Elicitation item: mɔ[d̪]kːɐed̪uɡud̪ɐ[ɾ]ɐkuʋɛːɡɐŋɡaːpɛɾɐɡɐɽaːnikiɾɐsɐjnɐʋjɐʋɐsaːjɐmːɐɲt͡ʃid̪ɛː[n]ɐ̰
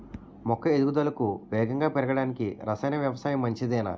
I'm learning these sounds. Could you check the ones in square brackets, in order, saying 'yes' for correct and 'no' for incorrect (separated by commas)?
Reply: no, no, yes